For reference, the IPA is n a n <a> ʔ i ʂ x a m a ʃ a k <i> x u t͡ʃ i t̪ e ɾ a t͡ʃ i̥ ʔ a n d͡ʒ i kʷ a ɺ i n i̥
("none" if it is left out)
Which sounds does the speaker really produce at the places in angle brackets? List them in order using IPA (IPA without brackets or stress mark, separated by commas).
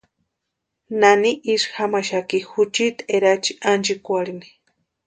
i, i